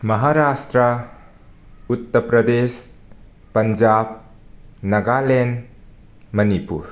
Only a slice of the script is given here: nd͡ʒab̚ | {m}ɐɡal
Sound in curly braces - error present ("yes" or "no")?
yes